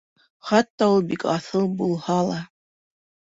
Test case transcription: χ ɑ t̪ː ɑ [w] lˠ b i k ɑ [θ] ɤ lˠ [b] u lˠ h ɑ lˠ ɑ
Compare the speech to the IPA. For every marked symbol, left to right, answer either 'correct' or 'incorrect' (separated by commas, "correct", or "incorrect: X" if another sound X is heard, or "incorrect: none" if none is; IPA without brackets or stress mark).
incorrect: u, correct, correct